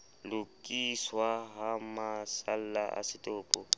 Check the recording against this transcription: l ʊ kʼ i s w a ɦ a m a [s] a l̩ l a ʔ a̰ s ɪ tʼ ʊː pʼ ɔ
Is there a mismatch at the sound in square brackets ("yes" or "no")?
no